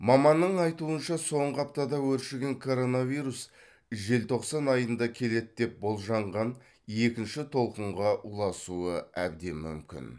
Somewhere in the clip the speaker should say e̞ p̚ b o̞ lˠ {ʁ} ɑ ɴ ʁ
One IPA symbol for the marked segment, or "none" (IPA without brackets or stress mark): ʒ